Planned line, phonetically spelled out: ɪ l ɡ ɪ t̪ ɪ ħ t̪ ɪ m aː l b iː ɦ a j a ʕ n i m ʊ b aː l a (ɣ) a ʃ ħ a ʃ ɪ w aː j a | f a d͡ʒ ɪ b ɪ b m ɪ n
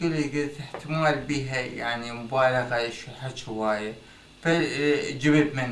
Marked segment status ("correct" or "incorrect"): correct